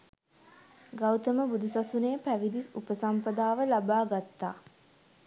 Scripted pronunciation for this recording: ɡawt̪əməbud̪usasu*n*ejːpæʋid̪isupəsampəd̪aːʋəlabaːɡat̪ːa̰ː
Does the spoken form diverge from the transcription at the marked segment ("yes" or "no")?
no